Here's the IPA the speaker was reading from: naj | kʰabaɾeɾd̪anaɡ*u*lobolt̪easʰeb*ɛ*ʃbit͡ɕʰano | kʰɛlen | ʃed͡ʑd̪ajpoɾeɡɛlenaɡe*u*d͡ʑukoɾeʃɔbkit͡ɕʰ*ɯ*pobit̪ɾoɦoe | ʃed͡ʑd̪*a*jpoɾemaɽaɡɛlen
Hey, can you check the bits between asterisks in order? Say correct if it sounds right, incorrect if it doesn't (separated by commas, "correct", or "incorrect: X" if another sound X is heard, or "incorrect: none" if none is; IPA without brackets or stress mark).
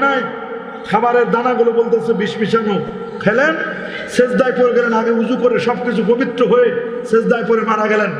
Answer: correct, incorrect: i, correct, incorrect: u, correct